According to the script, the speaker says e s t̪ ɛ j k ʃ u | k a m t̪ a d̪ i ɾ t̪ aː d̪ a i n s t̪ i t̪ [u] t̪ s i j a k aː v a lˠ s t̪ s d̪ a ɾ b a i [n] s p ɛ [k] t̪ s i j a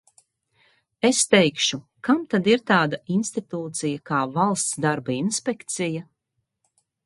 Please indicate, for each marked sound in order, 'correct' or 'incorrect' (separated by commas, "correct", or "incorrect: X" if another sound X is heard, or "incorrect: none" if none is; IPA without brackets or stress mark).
incorrect: uː, correct, correct